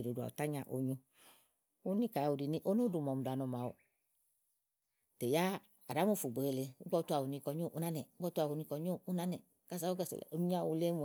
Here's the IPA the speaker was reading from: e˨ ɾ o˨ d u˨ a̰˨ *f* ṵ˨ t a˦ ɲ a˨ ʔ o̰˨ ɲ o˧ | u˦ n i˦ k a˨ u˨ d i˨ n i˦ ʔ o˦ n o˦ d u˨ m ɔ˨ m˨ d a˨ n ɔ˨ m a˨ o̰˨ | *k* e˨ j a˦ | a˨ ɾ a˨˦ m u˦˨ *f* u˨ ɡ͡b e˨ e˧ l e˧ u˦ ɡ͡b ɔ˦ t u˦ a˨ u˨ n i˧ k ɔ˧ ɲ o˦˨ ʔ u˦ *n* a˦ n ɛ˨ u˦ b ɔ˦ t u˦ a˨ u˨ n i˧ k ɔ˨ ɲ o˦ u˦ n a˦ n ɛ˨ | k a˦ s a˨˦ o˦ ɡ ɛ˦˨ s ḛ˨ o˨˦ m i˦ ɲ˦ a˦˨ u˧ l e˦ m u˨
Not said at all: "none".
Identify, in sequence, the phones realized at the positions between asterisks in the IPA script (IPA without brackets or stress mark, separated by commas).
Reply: none, t, f, n